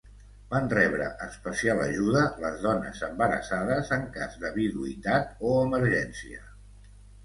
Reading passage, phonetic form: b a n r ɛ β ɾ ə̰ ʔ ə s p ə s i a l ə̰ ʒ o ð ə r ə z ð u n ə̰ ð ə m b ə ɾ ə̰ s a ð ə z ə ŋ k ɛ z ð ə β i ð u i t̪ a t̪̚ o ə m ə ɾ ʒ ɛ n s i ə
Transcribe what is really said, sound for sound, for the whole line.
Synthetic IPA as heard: b a n r ɛ β ɾ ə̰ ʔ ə s p ə s i a l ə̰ ʒ u ð ə l ə z ð ɔ n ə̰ z ə m b ə ɾ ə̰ s a ð ə z ə ŋ k a z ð ə β i ð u i t̪ a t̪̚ o ə m ə ɾ ʒ ɛ n s i ə